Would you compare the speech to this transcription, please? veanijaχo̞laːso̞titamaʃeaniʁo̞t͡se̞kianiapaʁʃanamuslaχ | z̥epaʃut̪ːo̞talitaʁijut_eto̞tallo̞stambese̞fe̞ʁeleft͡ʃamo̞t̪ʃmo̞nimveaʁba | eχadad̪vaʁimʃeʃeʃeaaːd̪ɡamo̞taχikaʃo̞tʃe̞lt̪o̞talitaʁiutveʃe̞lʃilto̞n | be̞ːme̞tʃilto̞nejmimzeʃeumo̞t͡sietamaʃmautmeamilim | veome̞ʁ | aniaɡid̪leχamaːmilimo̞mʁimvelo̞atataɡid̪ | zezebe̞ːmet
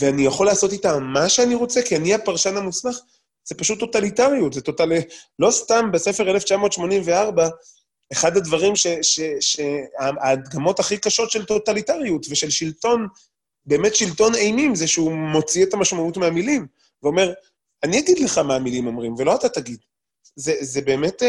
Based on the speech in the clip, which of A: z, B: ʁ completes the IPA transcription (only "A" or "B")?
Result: A